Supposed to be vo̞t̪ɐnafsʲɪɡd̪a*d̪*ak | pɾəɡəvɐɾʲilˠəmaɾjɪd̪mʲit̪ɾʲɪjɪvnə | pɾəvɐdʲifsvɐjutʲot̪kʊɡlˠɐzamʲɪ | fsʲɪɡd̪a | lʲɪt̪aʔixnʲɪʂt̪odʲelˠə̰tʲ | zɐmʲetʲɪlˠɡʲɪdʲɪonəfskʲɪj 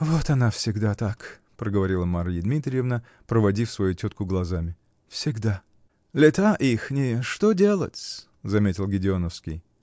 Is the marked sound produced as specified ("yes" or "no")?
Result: no